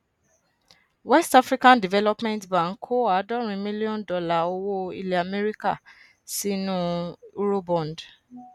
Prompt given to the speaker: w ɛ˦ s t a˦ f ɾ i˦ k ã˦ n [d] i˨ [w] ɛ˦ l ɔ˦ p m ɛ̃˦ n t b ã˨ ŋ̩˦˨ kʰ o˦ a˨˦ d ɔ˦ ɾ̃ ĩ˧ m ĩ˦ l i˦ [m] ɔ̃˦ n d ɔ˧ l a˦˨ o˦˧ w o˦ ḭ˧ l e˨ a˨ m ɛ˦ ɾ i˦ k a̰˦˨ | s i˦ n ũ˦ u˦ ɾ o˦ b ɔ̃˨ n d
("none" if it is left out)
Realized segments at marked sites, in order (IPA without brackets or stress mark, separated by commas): d, v, none